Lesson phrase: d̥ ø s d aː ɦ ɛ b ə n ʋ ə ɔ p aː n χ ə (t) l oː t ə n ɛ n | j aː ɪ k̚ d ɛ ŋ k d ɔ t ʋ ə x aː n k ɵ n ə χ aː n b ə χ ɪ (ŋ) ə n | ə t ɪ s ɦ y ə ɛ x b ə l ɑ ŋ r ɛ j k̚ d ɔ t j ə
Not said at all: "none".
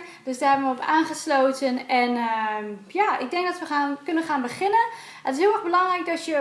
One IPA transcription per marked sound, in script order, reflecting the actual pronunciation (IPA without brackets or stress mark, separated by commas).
s, n